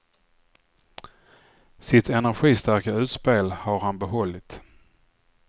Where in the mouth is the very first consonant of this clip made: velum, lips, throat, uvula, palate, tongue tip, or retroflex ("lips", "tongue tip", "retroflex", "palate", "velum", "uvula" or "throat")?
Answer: tongue tip